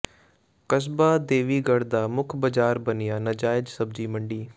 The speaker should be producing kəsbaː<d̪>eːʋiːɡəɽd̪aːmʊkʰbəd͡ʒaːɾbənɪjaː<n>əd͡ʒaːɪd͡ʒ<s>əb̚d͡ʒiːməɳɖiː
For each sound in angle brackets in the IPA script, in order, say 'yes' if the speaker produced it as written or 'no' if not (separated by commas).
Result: yes, yes, yes